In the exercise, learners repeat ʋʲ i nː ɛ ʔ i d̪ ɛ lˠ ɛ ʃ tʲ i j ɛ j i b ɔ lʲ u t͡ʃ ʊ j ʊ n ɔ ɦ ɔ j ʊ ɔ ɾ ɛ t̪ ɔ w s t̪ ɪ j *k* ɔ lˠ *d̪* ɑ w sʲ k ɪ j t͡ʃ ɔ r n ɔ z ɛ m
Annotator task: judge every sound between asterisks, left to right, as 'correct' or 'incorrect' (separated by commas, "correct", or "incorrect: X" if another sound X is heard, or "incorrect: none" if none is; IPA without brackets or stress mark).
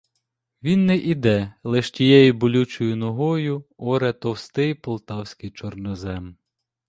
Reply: incorrect: p, incorrect: t̪